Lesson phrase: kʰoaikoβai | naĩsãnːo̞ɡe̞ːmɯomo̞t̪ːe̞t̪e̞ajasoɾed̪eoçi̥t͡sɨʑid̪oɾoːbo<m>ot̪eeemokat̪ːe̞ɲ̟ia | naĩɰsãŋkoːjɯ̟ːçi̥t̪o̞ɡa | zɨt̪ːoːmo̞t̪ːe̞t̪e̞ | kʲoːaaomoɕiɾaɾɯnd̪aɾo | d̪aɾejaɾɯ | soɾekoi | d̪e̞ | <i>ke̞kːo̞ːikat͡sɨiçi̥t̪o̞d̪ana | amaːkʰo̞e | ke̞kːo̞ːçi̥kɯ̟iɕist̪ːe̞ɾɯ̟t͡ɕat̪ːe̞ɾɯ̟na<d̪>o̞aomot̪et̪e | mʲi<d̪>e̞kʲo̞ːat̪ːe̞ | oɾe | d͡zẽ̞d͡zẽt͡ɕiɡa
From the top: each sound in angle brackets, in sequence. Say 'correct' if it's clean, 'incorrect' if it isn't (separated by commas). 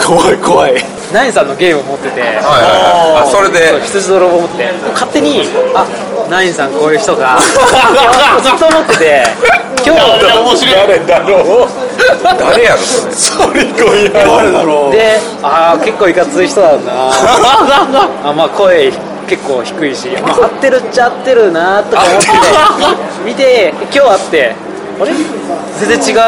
correct, incorrect, incorrect, incorrect